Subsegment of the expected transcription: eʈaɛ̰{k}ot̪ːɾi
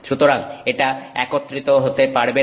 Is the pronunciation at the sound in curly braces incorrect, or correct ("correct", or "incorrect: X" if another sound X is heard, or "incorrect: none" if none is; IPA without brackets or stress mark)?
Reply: correct